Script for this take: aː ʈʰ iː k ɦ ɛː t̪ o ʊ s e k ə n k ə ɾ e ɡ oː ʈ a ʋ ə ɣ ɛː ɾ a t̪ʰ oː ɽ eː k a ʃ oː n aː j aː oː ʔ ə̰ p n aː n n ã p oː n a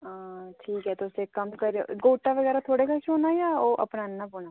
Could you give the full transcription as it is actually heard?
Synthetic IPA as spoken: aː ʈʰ iː k ɦ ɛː t̪ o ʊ s e k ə m k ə ɾ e ɡ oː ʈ a ʋ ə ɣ ɛː ɾ a t̪ʰ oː ɽ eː k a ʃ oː n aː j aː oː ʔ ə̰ p n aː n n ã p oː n a